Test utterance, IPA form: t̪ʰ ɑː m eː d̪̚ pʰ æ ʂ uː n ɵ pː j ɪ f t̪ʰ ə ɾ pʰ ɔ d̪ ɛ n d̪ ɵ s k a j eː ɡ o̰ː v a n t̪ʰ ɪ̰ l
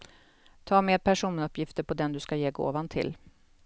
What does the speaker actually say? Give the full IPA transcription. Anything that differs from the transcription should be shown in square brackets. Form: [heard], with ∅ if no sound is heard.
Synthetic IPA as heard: t̪ʰ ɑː m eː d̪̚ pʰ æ ʂ uː n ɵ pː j ɪ f [t̪] ə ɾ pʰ ɔ d̪ ɛ n d̪ ɵ s k a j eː ɡ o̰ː v a n t̪ʰ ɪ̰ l

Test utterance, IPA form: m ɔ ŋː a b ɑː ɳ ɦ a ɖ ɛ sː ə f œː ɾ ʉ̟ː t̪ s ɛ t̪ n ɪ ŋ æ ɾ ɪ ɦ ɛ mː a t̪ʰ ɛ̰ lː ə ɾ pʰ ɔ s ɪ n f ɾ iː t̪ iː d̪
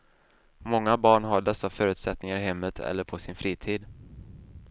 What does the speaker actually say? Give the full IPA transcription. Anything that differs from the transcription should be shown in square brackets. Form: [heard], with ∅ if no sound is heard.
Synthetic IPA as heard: m ɔ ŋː a b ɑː ɳ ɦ a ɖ ɛ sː [a] f œː ɾ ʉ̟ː t̪ s ɛ t̪ n ɪ ŋ [a] ɾ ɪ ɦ ɛ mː [ə] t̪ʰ ɛ̰ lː ə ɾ pʰ ɔ s ɪ n f ɾ iː [t̪ʰ] iː d̪

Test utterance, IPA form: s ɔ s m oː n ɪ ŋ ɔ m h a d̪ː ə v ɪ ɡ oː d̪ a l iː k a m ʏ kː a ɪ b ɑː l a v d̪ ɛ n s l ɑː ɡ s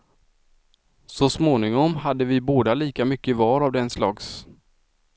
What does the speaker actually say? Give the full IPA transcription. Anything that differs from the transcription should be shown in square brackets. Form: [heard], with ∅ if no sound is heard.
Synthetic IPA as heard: s ɔ s m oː n ɪ ŋ ɔ m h a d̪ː ə v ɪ [b] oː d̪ a l iː k a m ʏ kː [ə] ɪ [v] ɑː [ɾ] a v d̪ ɛ n s l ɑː ɡ s

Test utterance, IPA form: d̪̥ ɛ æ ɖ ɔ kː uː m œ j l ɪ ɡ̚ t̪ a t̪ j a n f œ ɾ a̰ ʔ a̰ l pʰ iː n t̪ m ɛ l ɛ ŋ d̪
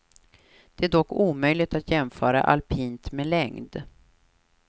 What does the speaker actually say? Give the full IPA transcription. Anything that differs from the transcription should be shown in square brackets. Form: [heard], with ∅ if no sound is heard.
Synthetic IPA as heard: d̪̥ ɛ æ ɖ ɔ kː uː m œ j l ɪ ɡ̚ t̪ a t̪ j [ɛ] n f [œː] ɾ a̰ ʔ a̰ l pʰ iː n t̪ m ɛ l ɛ ŋ d̪

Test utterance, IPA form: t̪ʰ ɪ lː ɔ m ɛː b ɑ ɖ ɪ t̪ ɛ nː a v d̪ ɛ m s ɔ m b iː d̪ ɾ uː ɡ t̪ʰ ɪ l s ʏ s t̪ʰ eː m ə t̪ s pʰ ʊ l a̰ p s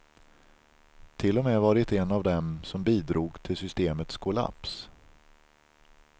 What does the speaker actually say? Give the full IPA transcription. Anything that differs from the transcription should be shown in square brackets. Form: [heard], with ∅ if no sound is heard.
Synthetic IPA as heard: t̪ʰ ɪ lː ɔ m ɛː [v] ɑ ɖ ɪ t̪ ɛ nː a v d̪ ɛ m s ɔ m b iː d̪ ɾ uː ɡ t̪ʰ ɪ l s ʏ s [t̪] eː m ə t̪ s [kʰ] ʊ l a̰ p s

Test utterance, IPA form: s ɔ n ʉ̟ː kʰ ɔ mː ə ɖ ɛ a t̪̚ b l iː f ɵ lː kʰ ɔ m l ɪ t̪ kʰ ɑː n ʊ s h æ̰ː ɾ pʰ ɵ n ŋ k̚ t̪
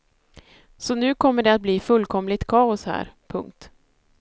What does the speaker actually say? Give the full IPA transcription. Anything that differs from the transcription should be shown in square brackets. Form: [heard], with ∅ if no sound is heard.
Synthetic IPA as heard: s ɔ n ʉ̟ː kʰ ɔ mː ə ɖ ɛ a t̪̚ b l iː f ɵ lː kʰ ɔ m l ɪ t̪ kʰ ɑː [∅] ʊ s h æ̰ː ɾ pʰ ɵ [∅] ŋ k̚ t̪

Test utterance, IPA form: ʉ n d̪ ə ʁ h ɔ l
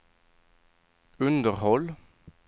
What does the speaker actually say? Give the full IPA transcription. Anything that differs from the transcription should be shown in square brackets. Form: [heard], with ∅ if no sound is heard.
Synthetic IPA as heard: ʉ n d̪ ə ʁ h ɔ l

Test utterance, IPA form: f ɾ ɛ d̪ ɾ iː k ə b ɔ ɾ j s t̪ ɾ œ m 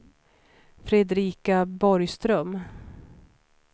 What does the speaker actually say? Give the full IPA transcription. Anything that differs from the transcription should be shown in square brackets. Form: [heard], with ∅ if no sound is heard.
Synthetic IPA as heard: f ɾ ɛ d̪ ɾ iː k [a] b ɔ ɾ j s t̪ ɾ œ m

